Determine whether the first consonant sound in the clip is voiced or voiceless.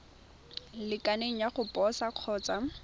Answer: voiced